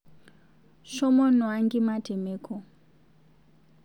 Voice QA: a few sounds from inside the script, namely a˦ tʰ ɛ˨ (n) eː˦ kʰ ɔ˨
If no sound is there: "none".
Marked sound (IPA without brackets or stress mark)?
m